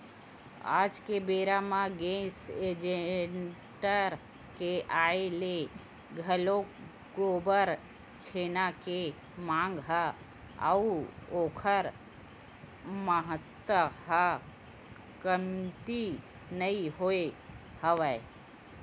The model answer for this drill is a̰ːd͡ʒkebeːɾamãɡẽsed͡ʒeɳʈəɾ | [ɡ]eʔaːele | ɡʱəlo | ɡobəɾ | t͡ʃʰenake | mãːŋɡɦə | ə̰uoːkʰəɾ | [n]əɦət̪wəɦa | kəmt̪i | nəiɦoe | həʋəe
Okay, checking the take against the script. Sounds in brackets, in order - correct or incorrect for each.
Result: incorrect: k, incorrect: m

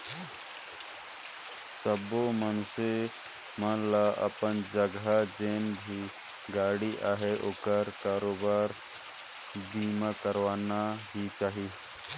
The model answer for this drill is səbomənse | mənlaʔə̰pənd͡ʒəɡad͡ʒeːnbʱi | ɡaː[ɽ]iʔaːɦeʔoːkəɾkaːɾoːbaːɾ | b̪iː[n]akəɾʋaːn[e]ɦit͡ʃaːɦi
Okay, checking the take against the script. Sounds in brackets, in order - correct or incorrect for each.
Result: correct, incorrect: m, incorrect: a

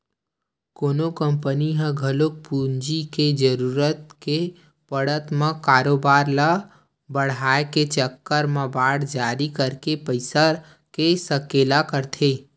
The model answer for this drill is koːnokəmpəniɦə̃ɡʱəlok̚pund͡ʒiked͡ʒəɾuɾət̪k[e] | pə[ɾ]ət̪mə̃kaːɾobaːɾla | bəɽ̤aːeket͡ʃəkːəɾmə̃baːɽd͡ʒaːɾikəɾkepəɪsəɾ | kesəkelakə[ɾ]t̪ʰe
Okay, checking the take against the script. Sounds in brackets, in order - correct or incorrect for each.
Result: correct, incorrect: ɽ, correct

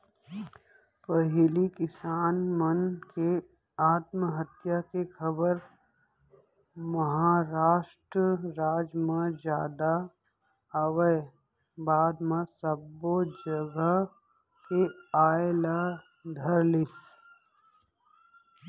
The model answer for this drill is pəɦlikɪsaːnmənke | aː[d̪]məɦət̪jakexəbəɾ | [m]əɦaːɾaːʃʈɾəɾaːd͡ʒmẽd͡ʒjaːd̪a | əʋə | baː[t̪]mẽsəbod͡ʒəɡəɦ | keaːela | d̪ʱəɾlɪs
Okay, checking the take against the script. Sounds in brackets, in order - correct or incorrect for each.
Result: incorrect: t̪, correct, incorrect: d̪

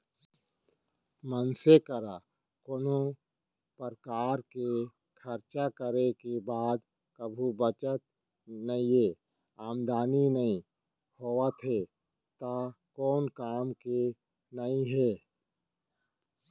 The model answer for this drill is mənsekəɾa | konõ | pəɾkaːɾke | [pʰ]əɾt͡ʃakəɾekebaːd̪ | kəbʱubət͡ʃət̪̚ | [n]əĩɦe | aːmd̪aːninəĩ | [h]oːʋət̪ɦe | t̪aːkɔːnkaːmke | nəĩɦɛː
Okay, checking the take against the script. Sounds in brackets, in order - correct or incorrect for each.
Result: incorrect: kʰ, correct, correct

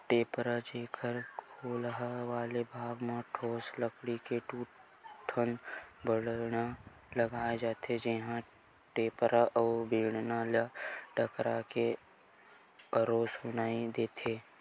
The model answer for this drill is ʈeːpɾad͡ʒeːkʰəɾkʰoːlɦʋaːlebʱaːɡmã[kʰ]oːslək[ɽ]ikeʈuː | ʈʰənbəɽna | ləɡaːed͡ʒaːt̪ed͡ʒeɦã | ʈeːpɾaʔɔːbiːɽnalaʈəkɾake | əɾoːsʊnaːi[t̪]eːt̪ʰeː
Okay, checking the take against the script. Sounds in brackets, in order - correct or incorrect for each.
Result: incorrect: ʈʰ, correct, incorrect: d̪

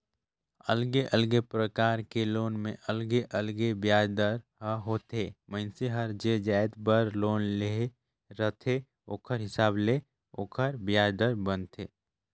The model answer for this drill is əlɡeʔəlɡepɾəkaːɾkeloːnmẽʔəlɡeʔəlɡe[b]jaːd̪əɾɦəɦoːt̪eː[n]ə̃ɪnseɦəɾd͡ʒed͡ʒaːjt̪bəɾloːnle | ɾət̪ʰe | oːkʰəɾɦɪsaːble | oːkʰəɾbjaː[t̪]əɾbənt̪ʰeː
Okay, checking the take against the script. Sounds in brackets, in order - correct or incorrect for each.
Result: correct, incorrect: m, incorrect: d̪

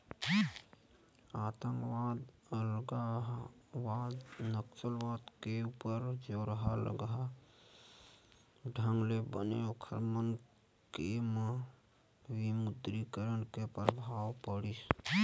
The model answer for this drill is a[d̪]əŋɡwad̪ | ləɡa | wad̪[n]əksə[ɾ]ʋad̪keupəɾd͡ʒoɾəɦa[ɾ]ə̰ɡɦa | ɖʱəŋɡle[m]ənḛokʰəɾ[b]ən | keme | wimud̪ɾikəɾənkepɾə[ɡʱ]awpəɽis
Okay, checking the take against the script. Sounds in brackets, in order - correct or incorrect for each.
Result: incorrect: t̪, correct, incorrect: l, incorrect: l, incorrect: b, incorrect: m, incorrect: bʱ

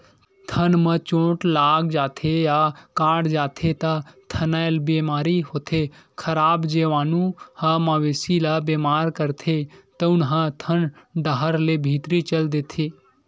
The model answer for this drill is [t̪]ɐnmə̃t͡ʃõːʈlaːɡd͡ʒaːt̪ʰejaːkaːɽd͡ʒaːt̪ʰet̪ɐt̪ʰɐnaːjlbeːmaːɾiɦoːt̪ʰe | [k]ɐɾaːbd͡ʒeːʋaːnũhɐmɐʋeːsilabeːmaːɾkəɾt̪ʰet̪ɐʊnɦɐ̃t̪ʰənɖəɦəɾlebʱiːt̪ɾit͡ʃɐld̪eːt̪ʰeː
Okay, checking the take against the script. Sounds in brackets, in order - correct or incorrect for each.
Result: incorrect: t̪ʰ, incorrect: kʰ

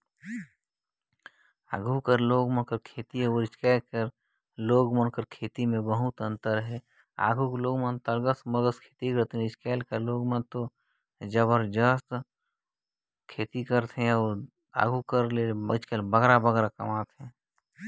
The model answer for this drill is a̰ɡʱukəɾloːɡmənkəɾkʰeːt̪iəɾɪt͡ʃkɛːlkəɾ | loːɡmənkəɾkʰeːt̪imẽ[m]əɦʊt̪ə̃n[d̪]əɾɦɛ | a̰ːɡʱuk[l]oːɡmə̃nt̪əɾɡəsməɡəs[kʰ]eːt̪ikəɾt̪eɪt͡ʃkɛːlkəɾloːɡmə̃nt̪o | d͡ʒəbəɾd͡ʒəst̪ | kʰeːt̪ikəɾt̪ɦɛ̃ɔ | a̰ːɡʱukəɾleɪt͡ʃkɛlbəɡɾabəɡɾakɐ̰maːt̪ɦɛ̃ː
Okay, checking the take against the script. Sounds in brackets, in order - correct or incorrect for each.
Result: incorrect: b, incorrect: t̪, correct, correct

